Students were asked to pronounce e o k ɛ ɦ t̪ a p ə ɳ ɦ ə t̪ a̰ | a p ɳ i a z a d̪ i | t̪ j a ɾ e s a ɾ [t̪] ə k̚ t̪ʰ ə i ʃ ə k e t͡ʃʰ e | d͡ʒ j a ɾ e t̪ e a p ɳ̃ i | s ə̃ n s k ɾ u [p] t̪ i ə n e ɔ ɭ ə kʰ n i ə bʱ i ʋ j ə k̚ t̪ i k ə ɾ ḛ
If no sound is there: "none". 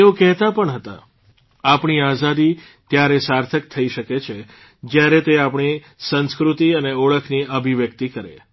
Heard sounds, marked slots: t̪ʰ, none

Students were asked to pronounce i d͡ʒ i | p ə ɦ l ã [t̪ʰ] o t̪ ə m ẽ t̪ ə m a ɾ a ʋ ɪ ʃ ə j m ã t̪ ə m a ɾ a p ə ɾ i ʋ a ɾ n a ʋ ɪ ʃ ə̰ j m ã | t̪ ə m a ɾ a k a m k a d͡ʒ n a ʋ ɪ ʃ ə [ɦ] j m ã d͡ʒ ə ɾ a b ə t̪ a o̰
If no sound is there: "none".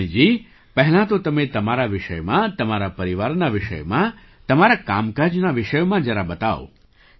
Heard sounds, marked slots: t̪, none

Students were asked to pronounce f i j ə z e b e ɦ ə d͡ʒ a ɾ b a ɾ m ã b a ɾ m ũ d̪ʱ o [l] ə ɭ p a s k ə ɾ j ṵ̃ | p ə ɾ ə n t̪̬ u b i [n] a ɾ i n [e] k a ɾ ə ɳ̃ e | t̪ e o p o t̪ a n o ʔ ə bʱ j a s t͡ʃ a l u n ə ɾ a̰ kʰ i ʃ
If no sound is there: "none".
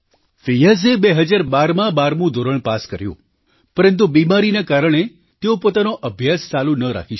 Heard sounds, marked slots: ɾ, m, a

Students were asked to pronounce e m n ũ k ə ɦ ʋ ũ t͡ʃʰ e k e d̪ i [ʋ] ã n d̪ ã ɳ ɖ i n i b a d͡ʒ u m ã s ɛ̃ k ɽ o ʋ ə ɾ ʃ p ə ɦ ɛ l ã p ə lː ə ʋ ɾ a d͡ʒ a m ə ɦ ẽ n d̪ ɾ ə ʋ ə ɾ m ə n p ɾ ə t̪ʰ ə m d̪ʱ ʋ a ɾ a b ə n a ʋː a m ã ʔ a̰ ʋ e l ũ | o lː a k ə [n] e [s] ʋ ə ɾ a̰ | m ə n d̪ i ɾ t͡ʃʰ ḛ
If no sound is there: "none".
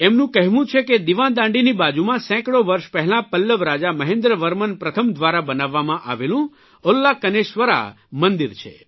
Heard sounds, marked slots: ʋ, n, ʃ

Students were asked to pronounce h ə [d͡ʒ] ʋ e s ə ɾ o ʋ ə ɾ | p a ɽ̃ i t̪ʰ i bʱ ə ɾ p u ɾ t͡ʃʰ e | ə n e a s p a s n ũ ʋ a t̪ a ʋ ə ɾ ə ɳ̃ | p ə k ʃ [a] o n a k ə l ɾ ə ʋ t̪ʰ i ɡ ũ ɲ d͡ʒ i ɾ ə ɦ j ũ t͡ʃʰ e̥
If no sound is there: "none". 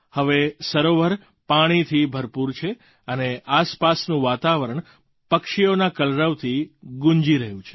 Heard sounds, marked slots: none, i

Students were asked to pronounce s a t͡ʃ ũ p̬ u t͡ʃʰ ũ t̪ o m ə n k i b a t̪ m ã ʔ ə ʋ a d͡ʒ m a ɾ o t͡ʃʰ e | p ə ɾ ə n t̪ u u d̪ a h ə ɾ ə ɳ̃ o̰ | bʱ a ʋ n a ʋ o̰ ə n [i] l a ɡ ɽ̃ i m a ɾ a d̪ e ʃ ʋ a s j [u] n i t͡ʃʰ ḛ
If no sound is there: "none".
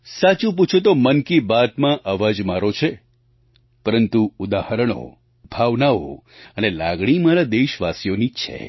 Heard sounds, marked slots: e, o

